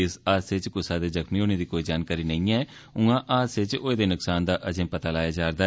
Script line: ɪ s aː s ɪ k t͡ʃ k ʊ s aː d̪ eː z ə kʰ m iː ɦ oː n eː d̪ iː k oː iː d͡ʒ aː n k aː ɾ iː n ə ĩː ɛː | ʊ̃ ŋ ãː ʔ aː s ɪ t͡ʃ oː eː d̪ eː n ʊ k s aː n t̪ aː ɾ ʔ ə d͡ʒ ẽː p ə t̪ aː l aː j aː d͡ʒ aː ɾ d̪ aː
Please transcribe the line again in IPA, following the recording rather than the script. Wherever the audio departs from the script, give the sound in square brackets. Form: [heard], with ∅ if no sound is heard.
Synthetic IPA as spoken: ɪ s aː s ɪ [∅] t͡ʃ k ʊ s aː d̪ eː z ə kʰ m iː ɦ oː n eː d̪ iː k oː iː d͡ʒ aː n k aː ɾ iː n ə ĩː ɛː | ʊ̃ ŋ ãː ʔ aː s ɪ t͡ʃ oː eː d̪ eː n ʊ k s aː n [d̪] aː [∅] ʔ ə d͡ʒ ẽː p ə t̪ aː l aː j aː d͡ʒ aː ɾ d̪ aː